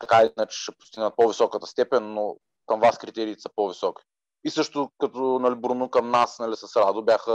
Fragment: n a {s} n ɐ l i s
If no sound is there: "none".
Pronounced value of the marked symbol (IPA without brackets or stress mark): s